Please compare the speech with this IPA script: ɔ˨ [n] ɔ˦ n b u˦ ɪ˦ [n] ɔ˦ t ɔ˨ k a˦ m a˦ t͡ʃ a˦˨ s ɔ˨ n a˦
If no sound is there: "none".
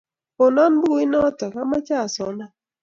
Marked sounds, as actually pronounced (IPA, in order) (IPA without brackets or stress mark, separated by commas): n, n